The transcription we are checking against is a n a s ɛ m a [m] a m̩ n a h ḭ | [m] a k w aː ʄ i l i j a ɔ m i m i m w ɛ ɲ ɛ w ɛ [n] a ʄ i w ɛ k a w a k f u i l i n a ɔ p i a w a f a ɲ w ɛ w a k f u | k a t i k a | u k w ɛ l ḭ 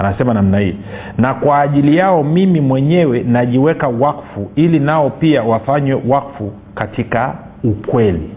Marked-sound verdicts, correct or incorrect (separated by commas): incorrect, incorrect, correct